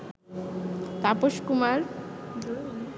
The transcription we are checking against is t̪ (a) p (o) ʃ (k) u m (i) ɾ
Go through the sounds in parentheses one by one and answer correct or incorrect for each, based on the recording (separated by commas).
correct, correct, correct, incorrect